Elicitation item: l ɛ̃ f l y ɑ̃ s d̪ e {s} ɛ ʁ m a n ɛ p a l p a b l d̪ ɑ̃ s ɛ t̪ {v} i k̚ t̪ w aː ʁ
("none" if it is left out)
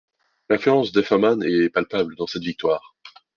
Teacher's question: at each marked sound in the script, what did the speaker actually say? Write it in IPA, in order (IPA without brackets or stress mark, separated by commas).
f, v